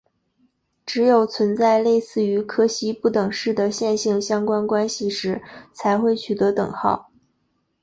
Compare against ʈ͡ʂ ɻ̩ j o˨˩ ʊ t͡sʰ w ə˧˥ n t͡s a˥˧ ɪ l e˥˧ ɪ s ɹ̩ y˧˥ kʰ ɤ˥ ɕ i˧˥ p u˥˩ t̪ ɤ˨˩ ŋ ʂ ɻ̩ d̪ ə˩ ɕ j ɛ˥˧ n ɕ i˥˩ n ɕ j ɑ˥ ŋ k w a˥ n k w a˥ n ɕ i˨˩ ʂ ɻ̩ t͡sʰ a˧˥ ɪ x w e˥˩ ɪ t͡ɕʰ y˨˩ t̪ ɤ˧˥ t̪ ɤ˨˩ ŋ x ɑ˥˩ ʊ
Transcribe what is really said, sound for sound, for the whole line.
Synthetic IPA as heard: ʈ͡ʂ ɻ̩ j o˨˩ ʊ t͡sʰ w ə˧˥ n t͡s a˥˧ ɪ l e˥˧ ɪ s ɹ̩ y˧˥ kʰ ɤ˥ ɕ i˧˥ p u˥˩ t̪ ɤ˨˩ ŋ ʂ ɻ̩ d̪ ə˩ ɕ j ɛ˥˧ n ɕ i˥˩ ŋ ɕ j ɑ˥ ŋ k w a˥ n k w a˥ n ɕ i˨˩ ʂ ɻ̩ t͡sʰ a˧˥ ɪ x w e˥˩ ɪ t͡ɕʰ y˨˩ t̪ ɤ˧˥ t̪ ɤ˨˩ ŋ x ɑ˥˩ ʊ

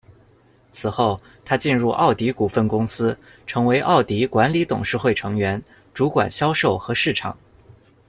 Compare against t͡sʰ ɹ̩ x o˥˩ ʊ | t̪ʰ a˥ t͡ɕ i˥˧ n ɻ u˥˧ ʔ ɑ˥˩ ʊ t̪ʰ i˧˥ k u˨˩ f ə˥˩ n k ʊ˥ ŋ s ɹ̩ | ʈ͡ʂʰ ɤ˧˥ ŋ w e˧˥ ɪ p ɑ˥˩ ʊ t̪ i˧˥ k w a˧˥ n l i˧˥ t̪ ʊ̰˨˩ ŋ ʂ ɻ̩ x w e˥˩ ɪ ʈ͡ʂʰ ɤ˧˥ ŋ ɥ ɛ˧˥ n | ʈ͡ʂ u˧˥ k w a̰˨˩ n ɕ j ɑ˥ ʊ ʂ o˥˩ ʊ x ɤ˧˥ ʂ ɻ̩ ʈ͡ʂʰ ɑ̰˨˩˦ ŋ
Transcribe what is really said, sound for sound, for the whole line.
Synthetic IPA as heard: t͡sʰ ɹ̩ x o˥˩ ʊ | t̪ʰ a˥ t͡ɕ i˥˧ n ɻ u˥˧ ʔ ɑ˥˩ ʊ t̪ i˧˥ k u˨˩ f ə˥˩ n k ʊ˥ ŋ s ɹ̩ | ʈ͡ʂʰ ɤ˧˥ ŋ w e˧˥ ɪ ʔ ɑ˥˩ ʊ t̪ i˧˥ k w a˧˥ n l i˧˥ t̪ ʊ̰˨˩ ŋ ʂ ɻ̩ x w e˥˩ ɪ ʈ͡ʂʰ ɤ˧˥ ŋ ɥ ɛ˧˥ n | ʈ͡ʂ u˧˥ k w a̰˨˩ n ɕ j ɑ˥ ʊ ʂ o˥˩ ʊ x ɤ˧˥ ʂ ɻ̩ ʈ͡ʂʰ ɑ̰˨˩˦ ŋ

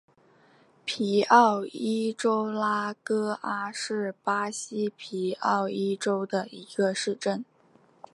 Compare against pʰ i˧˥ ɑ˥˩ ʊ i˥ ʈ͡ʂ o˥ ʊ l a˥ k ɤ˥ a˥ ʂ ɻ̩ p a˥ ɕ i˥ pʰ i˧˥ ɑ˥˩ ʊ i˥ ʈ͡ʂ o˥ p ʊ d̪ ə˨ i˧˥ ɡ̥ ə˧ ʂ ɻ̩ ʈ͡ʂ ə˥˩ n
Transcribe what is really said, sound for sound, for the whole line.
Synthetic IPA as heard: pʰ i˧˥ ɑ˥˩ ʊ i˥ ʈ͡ʂ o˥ ʊ l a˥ k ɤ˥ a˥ ʂ ɻ̩ p a˥ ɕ i˥ pʰ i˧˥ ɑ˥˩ ʊ i˥ ʈ͡ʂ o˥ ʊ d̪ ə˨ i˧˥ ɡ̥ ə˧ ʂ ɻ̩ ʈ͡ʂ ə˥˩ n

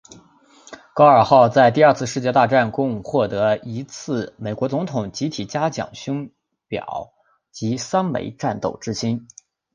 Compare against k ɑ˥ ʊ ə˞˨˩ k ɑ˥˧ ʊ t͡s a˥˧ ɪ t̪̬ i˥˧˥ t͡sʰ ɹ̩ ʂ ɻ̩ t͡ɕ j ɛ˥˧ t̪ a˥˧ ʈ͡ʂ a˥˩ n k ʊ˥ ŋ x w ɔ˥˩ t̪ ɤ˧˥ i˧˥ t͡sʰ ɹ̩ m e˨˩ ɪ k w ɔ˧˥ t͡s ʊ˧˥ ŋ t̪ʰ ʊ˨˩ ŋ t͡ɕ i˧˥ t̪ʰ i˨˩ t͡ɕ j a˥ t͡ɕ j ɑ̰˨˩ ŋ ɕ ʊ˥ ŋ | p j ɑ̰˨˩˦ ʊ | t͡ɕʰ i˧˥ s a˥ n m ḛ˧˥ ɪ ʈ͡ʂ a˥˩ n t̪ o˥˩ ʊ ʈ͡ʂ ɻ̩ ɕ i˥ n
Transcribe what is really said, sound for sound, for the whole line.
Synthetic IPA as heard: k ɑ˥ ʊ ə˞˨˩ x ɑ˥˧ ʊ t͡s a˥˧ ɪ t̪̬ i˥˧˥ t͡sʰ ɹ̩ ʂ ɻ̩ t͡ɕ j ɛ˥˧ t̪ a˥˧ ʈ͡ʂ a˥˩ n k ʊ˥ ŋ x w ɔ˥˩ t̪ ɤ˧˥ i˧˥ t͡sʰ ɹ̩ m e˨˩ ɪ k w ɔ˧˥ t͡s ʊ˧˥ ŋ t̪ʰ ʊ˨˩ ŋ t͡ɕ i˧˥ t̪ʰ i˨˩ t͡ɕ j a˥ t͡ɕ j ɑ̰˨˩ ŋ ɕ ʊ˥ ŋ | p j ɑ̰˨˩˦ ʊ | t͡ɕ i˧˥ s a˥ n m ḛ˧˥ ɪ ʈ͡ʂ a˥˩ n t̪ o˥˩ ʊ ʈ͡ʂ ɻ̩ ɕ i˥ n

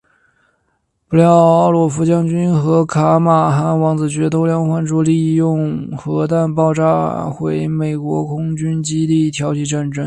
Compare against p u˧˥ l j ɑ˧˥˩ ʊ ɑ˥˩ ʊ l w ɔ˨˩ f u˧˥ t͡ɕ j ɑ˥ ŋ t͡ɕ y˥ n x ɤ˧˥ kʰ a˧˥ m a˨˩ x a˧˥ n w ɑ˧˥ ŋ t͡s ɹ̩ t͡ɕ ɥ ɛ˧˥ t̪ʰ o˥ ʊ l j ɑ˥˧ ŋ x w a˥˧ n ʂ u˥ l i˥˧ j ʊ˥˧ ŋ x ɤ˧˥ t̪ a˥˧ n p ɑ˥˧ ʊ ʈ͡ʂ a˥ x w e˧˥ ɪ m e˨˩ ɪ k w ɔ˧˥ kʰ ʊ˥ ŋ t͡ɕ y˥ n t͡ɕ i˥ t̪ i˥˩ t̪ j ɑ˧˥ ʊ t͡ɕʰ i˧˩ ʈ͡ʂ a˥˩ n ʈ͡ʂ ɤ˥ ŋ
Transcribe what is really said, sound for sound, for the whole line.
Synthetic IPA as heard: p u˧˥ l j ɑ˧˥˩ ʊ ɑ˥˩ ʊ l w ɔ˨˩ f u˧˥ t͡ɕ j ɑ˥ ŋ t͡ɕ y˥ n x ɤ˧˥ kʰ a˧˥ m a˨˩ x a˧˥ n w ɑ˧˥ ŋ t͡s ɹ̩ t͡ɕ ɥ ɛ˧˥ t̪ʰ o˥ ʊ l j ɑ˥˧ ŋ x w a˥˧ n ʈ͡ʂ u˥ l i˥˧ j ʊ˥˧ ŋ x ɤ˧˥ t̪ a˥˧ n p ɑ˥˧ ʊ ʈ͡ʂ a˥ x w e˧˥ ɪ m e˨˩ ɪ k w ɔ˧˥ kʰ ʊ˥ ŋ t͡ɕ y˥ n t͡ɕ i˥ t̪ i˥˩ t̪ʰ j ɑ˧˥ ʊ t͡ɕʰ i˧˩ ʈ͡ʂ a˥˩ n ʈ͡ʂ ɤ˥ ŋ

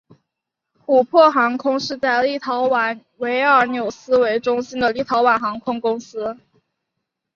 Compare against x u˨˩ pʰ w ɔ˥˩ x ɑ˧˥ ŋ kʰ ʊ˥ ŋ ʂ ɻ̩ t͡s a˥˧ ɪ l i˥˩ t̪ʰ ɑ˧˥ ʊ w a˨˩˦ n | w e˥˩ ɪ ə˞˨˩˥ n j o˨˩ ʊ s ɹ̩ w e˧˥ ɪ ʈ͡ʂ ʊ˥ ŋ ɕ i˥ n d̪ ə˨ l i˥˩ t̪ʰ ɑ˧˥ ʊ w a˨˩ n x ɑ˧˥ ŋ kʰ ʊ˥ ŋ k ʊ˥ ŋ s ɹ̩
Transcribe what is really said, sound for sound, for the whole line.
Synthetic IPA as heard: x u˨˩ pʰ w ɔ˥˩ x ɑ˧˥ ŋ kʰ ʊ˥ ŋ ʂ ɻ̩ t͡s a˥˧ ɪ l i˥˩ t̪ʰ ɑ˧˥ ʊ w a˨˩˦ n | w e˧˥ ɪ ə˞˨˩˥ n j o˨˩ ʊ s ɹ̩ w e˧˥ ɪ ʈ͡ʂ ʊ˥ ŋ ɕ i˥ n d̪ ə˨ l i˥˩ t̪ʰ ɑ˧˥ ʊ w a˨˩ n x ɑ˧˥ ŋ kʰ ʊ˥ ŋ k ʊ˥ ŋ s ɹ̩

